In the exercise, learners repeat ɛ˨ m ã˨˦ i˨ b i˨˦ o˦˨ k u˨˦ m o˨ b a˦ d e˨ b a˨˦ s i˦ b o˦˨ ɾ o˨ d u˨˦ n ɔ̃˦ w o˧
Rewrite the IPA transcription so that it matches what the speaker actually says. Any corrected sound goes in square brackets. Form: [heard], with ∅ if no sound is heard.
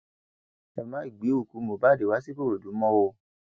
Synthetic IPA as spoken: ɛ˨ m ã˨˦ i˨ [ɡ͡b] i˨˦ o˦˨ k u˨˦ m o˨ b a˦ d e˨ [w] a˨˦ s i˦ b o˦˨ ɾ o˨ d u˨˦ [m] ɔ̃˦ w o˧